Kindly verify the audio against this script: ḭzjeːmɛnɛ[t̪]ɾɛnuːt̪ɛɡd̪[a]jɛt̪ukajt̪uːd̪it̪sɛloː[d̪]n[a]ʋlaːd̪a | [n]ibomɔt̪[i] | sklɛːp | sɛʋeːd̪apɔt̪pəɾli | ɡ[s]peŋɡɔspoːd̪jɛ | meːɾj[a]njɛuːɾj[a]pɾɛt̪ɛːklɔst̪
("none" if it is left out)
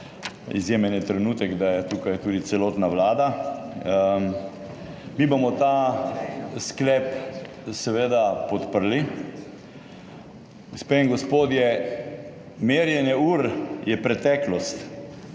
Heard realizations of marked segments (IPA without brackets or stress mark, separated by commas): t̪, a, t̪, a, m, a, s, ɛ, ɛ